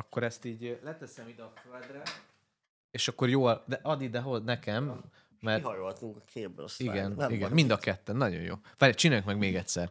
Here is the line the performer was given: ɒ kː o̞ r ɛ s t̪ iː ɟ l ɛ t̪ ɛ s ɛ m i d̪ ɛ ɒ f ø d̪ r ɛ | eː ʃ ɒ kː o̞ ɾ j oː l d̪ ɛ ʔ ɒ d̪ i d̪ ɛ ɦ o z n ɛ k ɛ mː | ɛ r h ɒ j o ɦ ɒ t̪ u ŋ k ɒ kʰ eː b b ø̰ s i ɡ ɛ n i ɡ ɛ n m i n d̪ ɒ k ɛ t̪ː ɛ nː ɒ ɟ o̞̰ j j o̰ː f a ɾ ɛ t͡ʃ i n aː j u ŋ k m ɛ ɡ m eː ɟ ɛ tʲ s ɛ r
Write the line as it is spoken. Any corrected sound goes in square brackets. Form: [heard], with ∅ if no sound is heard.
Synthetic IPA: ɒ kː o̞ [ɾ] ɛ s t̪ iː ɟ l ɛ t̪ ɛ s ɛ m i d̪ ɛ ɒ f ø d̪ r ɛ | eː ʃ ɒ kː o̞ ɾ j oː l d̪ ɛ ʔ ɒ d̪ i d̪ ɛ ɦ o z n ɛ k ɛ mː | ɛ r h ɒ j o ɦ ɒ t̪ u ŋ k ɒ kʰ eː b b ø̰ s i ɡ ɛ n i ɡ ɛ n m i n d̪ ɒ k ɛ t̪ː ɛ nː ɒ ɟ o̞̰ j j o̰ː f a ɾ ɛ t͡ʃ i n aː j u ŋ k m ɛ ɡ m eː [ɡ] ɛ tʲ s ɛ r